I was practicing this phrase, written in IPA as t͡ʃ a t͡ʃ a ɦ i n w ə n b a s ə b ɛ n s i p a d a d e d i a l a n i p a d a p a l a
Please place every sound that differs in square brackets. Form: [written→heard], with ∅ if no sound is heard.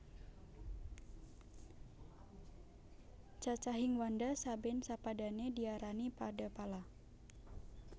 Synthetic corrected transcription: t͡ʃ a t͡ʃ a ɦ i [n→ŋ] w [ə→a] n [b→d] a s [ə→a] b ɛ n s [i→a] p a d a [d→n] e d i a [l→ɾ] a n i p a d a p a l a